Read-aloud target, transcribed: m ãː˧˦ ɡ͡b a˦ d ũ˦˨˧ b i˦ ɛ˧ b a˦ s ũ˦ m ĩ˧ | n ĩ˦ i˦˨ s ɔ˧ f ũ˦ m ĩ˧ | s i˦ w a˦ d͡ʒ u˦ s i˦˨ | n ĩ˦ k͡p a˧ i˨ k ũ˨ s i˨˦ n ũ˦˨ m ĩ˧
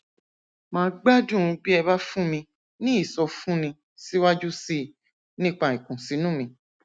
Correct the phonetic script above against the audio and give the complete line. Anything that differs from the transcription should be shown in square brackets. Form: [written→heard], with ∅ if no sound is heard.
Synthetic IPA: m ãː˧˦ ɡ͡b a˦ d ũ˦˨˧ b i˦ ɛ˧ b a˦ [s→f] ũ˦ m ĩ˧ | n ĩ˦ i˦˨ s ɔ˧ f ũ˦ [m→n] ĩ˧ | s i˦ w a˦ d͡ʒ u˦ s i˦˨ | n ĩ˦ k͡p a˧ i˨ k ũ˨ s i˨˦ n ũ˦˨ m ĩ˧